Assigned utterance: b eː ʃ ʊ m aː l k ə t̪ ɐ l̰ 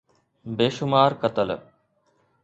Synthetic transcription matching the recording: b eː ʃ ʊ m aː ɾ k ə t̪ ə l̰